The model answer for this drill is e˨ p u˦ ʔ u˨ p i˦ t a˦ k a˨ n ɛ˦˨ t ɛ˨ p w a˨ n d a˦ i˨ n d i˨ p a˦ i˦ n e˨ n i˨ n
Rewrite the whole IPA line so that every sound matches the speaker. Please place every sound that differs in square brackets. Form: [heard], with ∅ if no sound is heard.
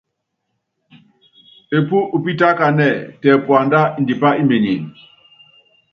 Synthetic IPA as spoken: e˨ p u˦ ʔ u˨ p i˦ t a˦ k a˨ n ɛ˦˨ t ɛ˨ p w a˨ n d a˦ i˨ n d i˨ p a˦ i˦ [m] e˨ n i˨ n